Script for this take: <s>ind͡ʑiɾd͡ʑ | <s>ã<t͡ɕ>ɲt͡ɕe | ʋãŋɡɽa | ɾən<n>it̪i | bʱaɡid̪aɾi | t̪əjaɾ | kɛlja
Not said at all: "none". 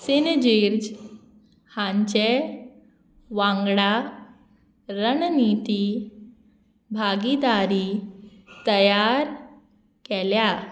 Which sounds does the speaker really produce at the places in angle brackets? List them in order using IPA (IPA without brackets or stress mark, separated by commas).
s, h, none, n